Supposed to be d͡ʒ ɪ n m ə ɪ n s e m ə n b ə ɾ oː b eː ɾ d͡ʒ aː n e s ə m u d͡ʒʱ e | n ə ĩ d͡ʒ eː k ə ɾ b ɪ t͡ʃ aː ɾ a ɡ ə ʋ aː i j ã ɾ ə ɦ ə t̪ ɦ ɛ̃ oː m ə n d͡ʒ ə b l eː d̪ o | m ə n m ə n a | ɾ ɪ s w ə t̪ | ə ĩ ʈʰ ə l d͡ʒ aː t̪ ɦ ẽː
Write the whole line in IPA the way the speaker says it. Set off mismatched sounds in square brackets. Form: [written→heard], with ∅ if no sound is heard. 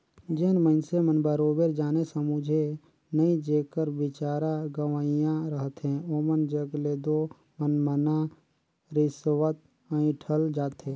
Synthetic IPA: d͡ʒ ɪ n m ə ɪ n s e m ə n b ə ɾ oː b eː ɾ d͡ʒ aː n e s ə m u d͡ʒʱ e | n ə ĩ d͡ʒ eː k ə ɾ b ɪ t͡ʃ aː ɾ a ɡ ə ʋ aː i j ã ɾ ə ɦ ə t̪ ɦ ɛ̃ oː m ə n d͡ʒ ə [b→ɡ] l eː d̪ o | m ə n m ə n a | ɾ ɪ s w ə t̪ | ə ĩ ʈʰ ə l d͡ʒ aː t̪ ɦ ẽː

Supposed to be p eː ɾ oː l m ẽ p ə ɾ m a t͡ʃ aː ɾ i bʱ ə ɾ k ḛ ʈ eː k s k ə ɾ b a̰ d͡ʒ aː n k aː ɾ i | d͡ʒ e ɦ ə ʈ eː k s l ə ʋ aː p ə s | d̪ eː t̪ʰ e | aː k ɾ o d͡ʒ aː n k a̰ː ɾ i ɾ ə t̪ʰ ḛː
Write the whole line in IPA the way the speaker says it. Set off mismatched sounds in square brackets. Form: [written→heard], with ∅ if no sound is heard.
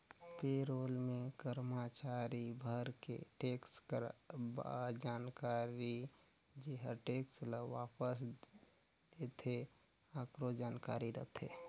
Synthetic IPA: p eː ɾ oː l m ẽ [p→k] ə ɾ m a t͡ʃ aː ɾ i bʱ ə ɾ k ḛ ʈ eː k s k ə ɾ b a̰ d͡ʒ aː n k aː ɾ i | d͡ʒ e ɦ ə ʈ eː k s l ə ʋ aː p ə s | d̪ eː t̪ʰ e | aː k ɾ o d͡ʒ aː n k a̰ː ɾ i ɾ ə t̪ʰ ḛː

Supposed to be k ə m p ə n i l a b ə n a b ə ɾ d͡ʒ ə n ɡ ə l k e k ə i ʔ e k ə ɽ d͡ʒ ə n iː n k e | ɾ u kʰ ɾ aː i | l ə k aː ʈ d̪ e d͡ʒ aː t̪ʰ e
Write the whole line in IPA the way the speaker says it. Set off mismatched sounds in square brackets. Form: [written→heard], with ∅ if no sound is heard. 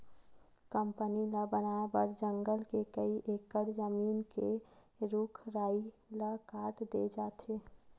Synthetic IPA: k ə m p ə n i l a b ə n a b ə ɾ d͡ʒ ə [n→ŋ] ɡ ə l k e k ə i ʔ e k ə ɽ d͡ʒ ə [n→m] iː n k e | ɾ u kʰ ɾ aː i | l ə k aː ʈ d̪ e d͡ʒ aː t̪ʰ e

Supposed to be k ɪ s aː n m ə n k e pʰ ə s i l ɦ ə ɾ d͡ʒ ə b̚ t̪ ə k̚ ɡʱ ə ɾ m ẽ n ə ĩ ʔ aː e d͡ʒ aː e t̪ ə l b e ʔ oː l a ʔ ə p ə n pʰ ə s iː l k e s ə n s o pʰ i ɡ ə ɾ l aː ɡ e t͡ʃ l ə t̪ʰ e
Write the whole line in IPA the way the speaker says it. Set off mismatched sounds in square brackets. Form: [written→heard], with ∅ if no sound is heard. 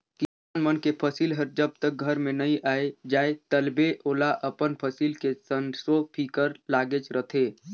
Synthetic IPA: k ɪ s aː n m ə n k e pʰ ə s i l ɦ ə ɾ d͡ʒ ə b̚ t̪ ə k̚ ɡʱ ə ɾ m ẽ n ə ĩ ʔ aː e d͡ʒ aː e t̪ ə l b e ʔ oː l a ʔ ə p ə n pʰ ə s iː l k e s ə n s o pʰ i [ɡ→k] ə ɾ l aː ɡ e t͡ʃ [l→ɾ] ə t̪ʰ e

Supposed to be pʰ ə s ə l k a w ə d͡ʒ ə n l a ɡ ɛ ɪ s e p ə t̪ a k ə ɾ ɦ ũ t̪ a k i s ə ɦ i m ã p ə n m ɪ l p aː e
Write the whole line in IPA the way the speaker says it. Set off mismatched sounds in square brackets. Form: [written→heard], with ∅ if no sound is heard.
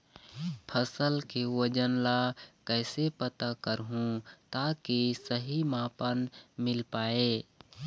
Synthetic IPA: pʰ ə s ə l k [a→e] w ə d͡ʒ ə n l a [ɡ→k] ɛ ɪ s e p ə t̪ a k ə ɾ ɦ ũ t̪ a k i s ə ɦ i m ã p ə n m ɪ l p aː e

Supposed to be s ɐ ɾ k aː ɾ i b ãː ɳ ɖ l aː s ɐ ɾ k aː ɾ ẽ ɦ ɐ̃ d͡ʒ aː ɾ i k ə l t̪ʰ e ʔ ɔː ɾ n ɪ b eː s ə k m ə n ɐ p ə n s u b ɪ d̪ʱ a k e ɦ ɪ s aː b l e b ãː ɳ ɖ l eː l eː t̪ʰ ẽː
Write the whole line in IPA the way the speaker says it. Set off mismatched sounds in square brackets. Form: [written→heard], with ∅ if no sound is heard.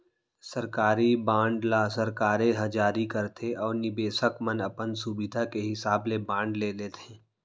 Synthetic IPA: s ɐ ɾ k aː ɾ i b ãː ɳ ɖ l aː s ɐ ɾ k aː ɾ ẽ ɦ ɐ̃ d͡ʒ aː ɾ i k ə [l→ɾ] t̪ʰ e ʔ ɔː ɾ n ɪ b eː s ə k m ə n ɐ p ə n s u b ɪ d̪ʱ a k e ɦ ɪ s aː b l e b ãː ɳ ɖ l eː l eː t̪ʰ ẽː

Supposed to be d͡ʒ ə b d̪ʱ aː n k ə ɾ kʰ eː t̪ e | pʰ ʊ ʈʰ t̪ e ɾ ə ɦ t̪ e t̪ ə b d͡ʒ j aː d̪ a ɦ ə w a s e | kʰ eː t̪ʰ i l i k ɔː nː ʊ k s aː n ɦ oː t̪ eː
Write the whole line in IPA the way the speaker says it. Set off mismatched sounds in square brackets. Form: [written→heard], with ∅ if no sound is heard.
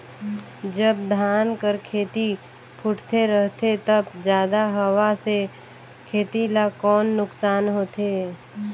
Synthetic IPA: d͡ʒ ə b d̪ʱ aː n k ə ɾ kʰ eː t̪ [e→i] | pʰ ʊ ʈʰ t̪ e ɾ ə ɦ t̪ e t̪ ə b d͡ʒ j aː d̪ a ɦ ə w a s e | kʰ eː [t̪ʰ→t̪] i l [i→a] k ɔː nː ʊ k s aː n ɦ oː t̪ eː

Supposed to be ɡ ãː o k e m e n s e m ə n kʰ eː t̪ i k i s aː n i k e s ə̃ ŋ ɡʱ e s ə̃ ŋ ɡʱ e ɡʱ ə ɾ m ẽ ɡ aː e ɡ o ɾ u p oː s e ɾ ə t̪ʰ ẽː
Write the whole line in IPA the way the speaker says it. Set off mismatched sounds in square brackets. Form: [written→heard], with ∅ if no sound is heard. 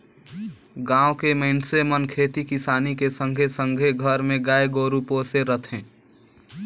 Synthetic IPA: ɡ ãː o k e m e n s e m ə n kʰ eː t̪ i k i s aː n i k e s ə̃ ŋ ɡʱ e s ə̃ ŋ ɡʱ e ɡʱ ə ɾ m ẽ ɡ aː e ɡ o ɾ u p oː s e ɾ ə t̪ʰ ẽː

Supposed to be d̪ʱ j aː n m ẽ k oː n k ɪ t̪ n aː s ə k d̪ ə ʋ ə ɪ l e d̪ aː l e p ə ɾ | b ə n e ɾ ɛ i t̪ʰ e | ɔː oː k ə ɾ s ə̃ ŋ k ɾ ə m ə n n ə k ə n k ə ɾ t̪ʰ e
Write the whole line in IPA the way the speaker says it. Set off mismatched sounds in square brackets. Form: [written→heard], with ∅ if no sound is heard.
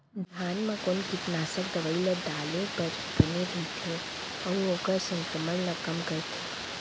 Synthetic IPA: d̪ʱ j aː n m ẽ k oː n k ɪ t̪ n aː s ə k d̪ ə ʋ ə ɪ l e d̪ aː l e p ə ɾ | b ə n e ɾ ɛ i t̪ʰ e | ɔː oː k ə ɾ s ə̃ ŋ k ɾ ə m ə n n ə k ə [n→m] k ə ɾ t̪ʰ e

